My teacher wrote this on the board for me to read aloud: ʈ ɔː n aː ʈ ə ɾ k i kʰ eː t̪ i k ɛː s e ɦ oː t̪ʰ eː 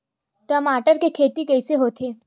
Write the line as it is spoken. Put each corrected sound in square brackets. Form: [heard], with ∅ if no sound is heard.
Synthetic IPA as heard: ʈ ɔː [m] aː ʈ ə ɾ k [e] kʰ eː t̪ i k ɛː s e ɦ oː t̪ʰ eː

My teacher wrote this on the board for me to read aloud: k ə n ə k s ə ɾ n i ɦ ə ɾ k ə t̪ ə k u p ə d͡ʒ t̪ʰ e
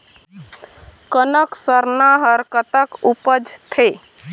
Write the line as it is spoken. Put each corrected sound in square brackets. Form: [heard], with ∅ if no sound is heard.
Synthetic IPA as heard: k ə n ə k s ə ɾ n [a] ɦ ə ɾ k ə t̪ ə k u p ə d͡ʒ t̪ʰ e

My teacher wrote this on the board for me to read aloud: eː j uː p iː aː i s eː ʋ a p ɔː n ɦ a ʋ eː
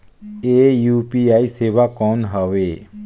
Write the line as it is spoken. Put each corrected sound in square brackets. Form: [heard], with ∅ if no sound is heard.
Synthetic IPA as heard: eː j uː p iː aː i s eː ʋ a [k] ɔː n ɦ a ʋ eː

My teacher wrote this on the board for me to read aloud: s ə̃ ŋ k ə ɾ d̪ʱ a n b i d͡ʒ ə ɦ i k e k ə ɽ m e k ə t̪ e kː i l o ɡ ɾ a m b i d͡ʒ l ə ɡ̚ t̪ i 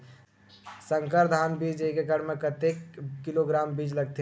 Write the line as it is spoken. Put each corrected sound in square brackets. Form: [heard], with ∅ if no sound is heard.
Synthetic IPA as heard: s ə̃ ŋ k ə ɾ d̪ʱ a n b i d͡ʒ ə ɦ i k e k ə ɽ m e k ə t̪ e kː i l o ɡ ɾ a m b i d͡ʒ l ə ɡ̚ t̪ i

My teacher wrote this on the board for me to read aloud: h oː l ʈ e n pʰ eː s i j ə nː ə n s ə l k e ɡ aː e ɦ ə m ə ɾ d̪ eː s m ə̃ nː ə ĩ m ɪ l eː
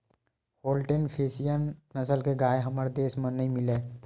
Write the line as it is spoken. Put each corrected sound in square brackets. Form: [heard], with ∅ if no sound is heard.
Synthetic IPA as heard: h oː l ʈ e n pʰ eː s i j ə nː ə [∅] s ə l k e ɡ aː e ɦ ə m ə ɾ d̪ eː s m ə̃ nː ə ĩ m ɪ l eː

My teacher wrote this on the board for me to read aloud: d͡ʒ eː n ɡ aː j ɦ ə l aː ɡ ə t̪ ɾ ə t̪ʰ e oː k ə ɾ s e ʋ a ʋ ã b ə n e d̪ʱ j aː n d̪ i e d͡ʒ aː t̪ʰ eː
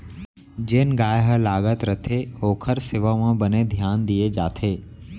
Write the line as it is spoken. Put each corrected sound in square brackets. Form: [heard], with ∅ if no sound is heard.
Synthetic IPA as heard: d͡ʒ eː n ɡ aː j ɦ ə l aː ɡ ə t̪ ɾ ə t̪ʰ e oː [kʰ] ə ɾ s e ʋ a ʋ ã b ə n e d̪ʱ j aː n d̪ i e d͡ʒ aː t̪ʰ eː

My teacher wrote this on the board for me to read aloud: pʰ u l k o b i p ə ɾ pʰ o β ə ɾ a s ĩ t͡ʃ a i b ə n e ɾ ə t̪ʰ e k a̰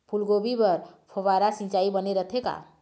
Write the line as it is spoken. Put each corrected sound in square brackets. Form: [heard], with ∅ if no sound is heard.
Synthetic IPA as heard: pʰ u l [ɡ] o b i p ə ɾ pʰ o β [a] ɾ a s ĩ t͡ʃ a i b ə n e ɾ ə t̪ʰ e k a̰

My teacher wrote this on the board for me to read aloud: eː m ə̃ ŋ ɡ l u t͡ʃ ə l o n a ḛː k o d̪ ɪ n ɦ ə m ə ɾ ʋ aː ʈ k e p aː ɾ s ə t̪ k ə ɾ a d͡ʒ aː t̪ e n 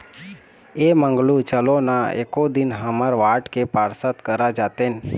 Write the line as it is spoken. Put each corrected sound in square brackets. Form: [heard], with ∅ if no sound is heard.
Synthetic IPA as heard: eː m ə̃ ŋ ɡ l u t͡ʃ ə l o n a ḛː k o d̪ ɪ n ɦ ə m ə ɾ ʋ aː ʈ k e p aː ɾ s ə t̪ k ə ɾ a d͡ʒ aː t̪ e n

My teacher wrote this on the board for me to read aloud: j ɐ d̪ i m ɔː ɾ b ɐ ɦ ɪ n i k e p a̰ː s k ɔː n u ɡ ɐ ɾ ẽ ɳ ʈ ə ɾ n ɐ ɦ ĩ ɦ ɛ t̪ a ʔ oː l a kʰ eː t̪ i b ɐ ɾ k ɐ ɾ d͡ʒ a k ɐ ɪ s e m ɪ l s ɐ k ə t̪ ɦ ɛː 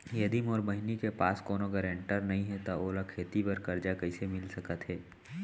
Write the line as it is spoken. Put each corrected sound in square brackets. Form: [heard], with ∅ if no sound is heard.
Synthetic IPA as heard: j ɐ d̪ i m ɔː ɾ b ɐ ɦ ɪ n i k e p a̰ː s k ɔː n [o] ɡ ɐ ɾ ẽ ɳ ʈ ə ɾ n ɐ ɦ ĩ ɦ ɛ t̪ a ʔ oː l a kʰ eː t̪ i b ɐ ɾ k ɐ ɾ d͡ʒ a k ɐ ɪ s e m ɪ l s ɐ k ə t̪ ɦ ɛː

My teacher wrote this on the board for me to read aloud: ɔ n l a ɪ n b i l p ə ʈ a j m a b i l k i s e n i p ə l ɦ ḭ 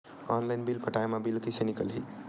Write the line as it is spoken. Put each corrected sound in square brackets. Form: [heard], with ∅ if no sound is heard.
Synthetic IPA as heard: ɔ n l a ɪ n b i l p ə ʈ a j m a b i l k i s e n i [k] ə l ɦ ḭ

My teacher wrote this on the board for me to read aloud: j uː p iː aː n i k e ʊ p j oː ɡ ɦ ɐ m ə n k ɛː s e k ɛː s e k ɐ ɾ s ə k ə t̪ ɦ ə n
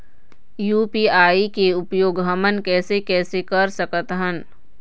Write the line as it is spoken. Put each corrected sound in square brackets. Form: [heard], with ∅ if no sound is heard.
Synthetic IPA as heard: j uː p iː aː [∅] i k e ʊ p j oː ɡ ɦ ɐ m ə n k ɛː s e k ɛː s e k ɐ ɾ s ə k ə t̪ ɦ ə n

